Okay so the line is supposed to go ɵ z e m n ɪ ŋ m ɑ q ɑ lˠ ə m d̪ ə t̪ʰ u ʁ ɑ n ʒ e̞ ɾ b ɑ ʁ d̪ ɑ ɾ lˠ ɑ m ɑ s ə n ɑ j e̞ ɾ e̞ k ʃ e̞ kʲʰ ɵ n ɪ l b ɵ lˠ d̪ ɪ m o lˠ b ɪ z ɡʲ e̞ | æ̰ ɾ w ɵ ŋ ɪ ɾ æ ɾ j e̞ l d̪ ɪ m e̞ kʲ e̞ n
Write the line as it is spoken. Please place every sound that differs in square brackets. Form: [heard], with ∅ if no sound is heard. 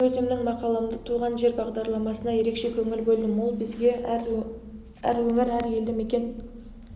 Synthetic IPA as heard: ɵ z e m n ɪ ŋ m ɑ q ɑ lˠ ə m d̪ ə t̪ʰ u ʁ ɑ n ʒ e̞ ɾ b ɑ ʁ d̪ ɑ ɾ lˠ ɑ m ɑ s ə n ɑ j e̞ ɾ e̞ k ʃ e̞ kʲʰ ɵ [ŋ] ɪ l b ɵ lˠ d̪ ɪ m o lˠ b ɪ z ɡʲ e̞ | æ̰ ɾ w ɵ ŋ ɪ ɾ æ ɾ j e̞ l d̪ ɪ m e̞ kʲ e̞ n